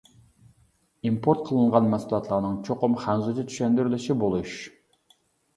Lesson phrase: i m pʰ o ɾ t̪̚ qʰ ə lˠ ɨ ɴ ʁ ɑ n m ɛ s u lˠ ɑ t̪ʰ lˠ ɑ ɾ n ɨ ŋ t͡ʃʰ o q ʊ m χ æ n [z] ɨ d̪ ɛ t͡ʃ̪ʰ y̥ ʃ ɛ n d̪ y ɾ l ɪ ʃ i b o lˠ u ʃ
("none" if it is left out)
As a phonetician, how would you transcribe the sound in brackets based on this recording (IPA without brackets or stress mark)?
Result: z